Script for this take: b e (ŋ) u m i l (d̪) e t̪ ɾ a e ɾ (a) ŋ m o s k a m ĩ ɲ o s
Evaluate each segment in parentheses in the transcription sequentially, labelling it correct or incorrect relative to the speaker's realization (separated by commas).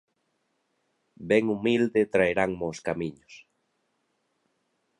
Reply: correct, correct, correct